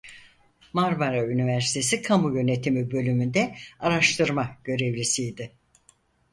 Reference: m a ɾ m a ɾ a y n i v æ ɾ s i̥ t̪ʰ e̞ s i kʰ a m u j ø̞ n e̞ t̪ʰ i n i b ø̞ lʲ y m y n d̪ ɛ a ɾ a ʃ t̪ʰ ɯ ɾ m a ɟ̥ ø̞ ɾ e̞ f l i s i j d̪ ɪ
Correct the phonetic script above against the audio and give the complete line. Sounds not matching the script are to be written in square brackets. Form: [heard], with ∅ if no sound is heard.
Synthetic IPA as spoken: m a ɾ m a ɾ a y n i v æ ɾ s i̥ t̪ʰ e̞ s i kʰ a m u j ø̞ n e̞ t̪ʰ i [m] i b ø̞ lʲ y m y n d̪ ɛ a ɾ a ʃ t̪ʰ ɯ ɾ m a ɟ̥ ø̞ ɾ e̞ [v] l i s i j d̪ ɪ